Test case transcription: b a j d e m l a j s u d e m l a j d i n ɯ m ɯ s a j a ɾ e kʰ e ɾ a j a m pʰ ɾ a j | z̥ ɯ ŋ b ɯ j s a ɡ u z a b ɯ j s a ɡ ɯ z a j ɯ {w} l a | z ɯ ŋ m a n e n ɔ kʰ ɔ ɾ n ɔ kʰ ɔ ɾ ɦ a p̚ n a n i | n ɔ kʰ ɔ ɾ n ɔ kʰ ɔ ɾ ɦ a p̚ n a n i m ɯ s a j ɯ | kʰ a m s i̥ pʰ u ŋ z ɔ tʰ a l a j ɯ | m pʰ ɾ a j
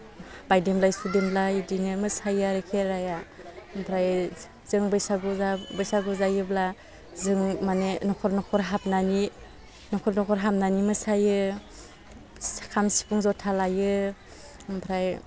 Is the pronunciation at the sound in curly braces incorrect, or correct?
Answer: incorrect